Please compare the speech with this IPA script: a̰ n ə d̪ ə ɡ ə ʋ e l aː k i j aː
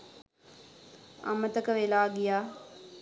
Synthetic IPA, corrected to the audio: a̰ m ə t̪ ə k ə ʋ e l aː ɡ i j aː